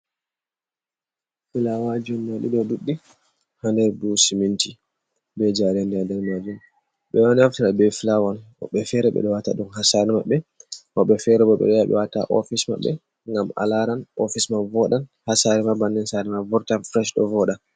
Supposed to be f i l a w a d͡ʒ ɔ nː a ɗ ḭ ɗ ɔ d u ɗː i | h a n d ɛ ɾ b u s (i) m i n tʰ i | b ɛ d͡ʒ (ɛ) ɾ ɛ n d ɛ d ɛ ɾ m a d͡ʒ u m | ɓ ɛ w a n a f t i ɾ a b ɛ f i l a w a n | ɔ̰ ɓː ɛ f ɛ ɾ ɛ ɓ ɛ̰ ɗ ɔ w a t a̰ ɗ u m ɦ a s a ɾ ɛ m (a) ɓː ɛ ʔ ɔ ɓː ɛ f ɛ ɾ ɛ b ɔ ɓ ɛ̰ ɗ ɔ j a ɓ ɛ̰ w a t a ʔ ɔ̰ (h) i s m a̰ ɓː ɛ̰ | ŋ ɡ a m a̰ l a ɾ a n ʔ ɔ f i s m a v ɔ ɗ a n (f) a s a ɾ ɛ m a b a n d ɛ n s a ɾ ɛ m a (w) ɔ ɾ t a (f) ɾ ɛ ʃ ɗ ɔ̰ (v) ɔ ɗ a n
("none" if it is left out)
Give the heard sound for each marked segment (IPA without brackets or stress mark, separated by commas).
i, a, a, f, h, v, f, v